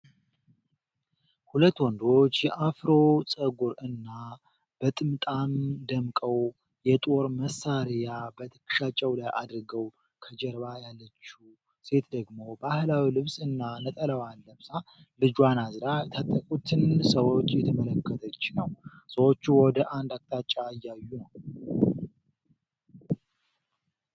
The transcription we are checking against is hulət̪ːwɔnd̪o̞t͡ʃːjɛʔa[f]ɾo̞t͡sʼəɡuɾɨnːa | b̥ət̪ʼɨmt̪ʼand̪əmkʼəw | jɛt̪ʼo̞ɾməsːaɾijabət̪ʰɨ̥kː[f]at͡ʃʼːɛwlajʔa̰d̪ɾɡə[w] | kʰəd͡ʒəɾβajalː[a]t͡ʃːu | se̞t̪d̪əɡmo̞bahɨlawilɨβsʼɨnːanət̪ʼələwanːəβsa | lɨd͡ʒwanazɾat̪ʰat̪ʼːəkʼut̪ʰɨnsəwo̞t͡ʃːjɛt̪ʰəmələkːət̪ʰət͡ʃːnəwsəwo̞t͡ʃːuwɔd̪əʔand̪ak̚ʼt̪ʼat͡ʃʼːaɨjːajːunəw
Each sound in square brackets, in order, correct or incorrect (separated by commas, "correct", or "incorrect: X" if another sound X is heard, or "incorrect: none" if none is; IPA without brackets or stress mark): correct, incorrect: ʃ, correct, incorrect: ə